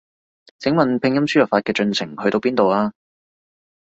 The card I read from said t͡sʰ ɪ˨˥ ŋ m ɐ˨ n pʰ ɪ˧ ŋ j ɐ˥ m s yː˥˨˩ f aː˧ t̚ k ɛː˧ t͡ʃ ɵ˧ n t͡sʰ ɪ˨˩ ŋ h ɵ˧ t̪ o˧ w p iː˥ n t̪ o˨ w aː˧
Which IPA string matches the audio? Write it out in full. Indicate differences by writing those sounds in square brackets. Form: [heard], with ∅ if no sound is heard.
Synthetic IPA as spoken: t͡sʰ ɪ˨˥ ŋ m ɐ˨ n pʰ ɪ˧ ŋ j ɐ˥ m s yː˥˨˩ f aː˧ t̚ k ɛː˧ t͡ʃ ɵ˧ n t͡sʰ ɪ˨˩ ŋ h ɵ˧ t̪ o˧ w p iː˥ n t̪ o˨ w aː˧